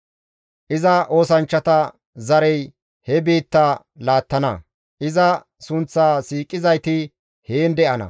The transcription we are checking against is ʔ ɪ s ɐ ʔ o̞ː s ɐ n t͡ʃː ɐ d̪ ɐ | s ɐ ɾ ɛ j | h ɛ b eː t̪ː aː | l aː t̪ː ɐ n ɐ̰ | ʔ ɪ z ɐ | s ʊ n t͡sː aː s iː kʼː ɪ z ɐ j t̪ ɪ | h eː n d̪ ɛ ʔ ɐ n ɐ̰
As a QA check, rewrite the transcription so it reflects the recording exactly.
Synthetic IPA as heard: ʔ ɪ z ɐ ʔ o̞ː s ɐ n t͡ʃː ɐ t̪ ɐ | z ɐ ɾ ɛ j | h ɛ b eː t̪ː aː | l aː t̪ː ɐ n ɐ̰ | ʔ ɪ z ɐ | s ʊ n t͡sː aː s iː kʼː ɪ z ɐ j t̪ ɪ | h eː n d̪ ɛ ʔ ɐ n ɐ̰